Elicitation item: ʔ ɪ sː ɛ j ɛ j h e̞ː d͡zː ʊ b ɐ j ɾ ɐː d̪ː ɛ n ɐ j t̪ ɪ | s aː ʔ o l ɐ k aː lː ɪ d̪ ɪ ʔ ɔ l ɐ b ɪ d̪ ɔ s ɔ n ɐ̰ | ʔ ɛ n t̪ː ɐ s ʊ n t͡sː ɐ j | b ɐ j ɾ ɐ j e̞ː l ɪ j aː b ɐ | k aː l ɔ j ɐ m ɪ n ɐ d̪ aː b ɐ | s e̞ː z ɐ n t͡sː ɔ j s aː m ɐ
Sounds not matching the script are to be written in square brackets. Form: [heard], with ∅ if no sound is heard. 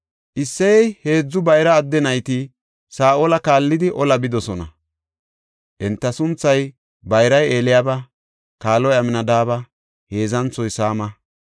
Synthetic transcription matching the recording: ʔ ɪ sː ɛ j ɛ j h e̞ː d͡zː ʊ b ɐ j ɾ ɐː d̪ː ɛ n ɐ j t̪ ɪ | s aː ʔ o l ɐ k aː lː ɪ d̪ ɪ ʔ ɔ l ɐ b ɪ d̪ ɔ s ɔ n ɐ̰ | ʔ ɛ n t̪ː ɐ s ʊ n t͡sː ɐ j | b ɐ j ɾ ɐ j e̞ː l ɪ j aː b ɐ | k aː l ɔ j ɐ m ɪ n ɐ d̪ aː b ɐ | [h] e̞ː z ɐ n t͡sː ɔ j s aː m ɐ